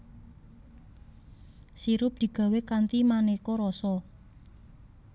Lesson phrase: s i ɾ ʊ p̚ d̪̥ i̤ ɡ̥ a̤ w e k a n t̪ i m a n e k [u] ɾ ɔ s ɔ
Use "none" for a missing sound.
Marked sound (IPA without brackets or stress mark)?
ɔ